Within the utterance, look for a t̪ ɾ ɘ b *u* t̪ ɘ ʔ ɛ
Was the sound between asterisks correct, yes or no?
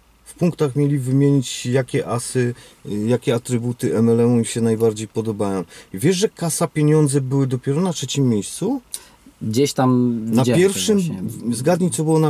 yes